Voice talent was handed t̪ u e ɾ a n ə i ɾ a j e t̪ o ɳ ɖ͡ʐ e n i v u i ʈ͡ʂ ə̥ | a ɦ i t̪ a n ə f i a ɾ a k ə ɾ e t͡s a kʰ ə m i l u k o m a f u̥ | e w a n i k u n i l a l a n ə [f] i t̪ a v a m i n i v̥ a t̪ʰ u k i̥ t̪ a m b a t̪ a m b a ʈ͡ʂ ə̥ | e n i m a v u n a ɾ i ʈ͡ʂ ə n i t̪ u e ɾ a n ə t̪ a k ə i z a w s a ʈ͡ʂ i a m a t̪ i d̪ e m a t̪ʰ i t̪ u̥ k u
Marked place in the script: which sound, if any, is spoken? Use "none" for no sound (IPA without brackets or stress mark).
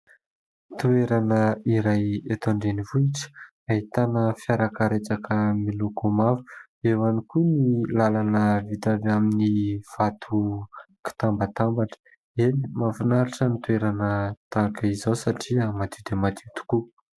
v